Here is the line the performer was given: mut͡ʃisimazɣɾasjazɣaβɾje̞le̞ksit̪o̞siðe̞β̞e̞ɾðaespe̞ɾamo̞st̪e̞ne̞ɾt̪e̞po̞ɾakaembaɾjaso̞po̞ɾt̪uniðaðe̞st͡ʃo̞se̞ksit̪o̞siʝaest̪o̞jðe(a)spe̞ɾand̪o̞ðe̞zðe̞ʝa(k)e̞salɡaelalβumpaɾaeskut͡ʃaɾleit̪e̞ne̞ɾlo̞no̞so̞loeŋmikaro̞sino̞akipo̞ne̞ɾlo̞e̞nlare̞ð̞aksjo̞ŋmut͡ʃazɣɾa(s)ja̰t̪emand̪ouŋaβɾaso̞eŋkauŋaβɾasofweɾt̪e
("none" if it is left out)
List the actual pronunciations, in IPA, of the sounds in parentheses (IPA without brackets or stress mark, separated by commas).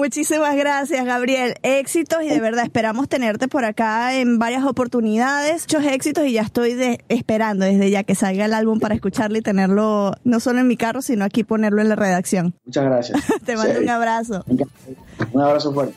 e, k, s